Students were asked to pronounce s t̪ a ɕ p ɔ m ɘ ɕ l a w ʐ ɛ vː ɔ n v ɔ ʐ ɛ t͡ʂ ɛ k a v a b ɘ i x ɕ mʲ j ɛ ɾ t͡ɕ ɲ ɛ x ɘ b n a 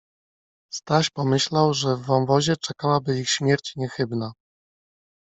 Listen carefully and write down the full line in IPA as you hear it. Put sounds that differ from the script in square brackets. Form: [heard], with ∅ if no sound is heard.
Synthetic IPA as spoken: s t̪ a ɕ p ɔ m ɘ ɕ l a w ʐ ɛ vː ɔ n v ɔ [ʑ] ɛ t͡ʂ ɛ k a [w] a b ɘ i x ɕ mʲ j ɛ ɾ t͡ɕ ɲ ɛ x ɘ b n a